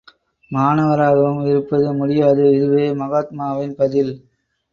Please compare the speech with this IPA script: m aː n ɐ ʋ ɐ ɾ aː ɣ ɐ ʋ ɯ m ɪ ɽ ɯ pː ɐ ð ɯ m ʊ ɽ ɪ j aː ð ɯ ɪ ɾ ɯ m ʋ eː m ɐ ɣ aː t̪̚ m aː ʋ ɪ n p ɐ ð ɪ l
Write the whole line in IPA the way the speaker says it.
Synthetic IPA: m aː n ɐ ʋ ɐ ɾ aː ɣ ɐ ʋ ɯ m ɪ ɾ ɯ pː ɐ ð ɯ m ʊ ɽ ɪ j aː ð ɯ ɪ ɾ ɯ ʋ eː m ɐ ɣ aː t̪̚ m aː ʋ ɪ n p ɐ ð ɪ l

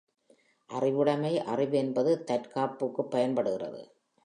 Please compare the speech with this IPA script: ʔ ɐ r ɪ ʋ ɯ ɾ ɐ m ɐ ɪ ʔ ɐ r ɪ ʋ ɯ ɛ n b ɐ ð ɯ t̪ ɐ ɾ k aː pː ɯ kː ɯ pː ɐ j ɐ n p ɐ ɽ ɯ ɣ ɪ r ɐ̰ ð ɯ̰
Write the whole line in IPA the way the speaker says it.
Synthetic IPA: ʔ ɐ r ɪ ʋ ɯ ɽ ɐ m ɐ ɪ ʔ ɐ r ɪ ʋ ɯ ɛ n b ɐ ð ɯ t̪ ɐ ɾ k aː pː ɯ kː ɯ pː ɐ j ɐ n p ɐ ɽ ɯ ɣ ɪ r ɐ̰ ð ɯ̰

